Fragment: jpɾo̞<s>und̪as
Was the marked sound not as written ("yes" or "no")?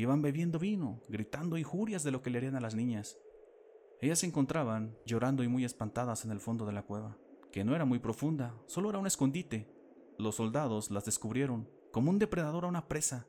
yes